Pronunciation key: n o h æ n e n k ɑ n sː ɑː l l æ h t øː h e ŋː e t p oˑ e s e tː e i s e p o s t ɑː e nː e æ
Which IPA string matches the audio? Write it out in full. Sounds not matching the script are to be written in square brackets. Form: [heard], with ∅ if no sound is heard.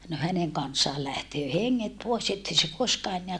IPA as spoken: n o h æ n e [ŋ] k ɑ n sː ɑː l l æ h t øː h e ŋː e t p oˑ e s e tː e i s e [k] o s [k] ɑː e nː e æ

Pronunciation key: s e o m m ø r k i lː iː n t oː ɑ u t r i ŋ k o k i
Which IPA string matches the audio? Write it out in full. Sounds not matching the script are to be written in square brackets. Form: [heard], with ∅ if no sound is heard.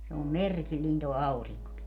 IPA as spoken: s e o m m [e] r k i lː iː n t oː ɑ u [∅] r i ŋ k o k i

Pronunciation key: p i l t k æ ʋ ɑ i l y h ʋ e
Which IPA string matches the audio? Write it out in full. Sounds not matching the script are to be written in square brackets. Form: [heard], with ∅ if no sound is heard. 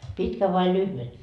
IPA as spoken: p i [∅] t k æ ʋ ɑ i l y h ʋ e

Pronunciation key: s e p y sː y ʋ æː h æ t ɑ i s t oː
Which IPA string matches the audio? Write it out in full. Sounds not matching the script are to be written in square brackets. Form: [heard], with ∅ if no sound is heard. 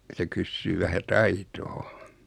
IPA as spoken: s e [k] y sː [yː] ʋ [æ] h æ t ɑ i [∅] t oː

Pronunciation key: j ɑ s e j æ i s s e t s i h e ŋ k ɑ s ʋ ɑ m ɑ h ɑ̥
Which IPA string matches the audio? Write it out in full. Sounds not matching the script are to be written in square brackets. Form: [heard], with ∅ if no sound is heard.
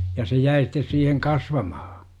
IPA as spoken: j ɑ s e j æ i s [t] e [s] s [iː] h e ŋ k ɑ s ʋ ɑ m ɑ h ɑ̥

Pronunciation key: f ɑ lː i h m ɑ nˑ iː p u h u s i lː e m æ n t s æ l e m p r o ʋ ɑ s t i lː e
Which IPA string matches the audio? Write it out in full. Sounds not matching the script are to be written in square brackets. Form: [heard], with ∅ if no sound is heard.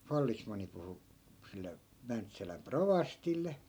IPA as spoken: f ɑ lː i [s] m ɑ nˑ [i] p u h u s i lː e m æ n t s æ l [æ] m p r o ʋ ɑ s t i lː e

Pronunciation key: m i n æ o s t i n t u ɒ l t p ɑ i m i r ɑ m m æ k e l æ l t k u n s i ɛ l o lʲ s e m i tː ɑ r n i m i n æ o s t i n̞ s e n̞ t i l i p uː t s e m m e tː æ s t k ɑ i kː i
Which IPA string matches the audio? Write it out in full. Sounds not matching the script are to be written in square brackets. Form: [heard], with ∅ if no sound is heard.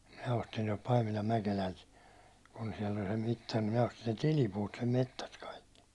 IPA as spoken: m i n æ o s t i n t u ɒ l t p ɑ i m i [l] ɑ m m æ k e l æ l t k u n s i ɛ l o lʲ s e m i tː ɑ r n i m i n æ o s t i n̞ s e n̞ t i l i p uː t s e m m e tː æ s t k ɑ i kː i

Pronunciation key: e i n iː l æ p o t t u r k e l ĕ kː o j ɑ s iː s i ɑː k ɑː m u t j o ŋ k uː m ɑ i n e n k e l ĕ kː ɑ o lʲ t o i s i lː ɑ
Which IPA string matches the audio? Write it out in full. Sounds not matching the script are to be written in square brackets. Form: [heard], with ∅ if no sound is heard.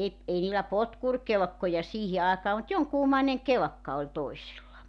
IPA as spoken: e i n iː l æ p o t [k] u r k e l ĕ kː o j ɑ s iː [h] i ɑː k ɑː m u t j o ŋ k uː m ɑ i n e [ŋ] k e l ĕ kː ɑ o lʲ t o i s i lː ɑ

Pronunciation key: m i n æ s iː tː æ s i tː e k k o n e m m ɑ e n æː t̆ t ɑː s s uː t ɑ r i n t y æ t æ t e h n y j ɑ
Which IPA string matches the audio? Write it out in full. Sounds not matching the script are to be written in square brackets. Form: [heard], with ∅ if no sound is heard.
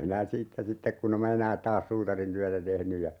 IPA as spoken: m i n æ s iː tː æ s i tː e k k [u] n e m m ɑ e n æː t̆ t ɑː s s uː t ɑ r i n t y æ t æ t e h n y j ɑ

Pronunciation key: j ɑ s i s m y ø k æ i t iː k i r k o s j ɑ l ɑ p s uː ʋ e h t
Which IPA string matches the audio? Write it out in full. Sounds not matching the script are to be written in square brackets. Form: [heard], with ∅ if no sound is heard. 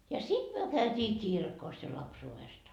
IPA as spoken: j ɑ s i [t] m y ø k æ [y] t iː k i r k o s j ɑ l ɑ p s uː ʋ e [s] t

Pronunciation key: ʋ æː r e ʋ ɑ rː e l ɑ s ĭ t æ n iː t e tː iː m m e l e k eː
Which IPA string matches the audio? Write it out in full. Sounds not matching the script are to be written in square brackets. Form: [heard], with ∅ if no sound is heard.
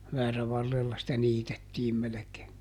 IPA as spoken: ʋ æː r [æ] ʋ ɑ rː e [lː] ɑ s ĭ t æ n iː t e tː iː m m e l e k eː

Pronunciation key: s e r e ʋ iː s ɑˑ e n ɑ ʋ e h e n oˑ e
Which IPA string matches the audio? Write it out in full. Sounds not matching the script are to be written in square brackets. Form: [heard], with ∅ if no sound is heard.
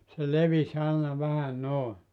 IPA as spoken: s e [l] e ʋ [i] s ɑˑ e n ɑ ʋ [æ] h [æ] n oˑ e

